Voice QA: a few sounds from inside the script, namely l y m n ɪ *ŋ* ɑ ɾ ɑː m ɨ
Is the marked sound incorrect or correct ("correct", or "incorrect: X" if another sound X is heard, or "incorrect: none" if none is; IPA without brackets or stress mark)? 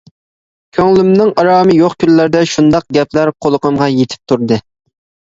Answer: correct